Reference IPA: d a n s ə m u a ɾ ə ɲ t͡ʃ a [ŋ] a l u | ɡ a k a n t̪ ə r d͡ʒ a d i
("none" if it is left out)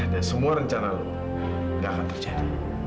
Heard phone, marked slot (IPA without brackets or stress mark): n